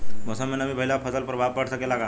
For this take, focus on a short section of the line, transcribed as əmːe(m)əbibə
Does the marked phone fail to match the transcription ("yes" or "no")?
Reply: yes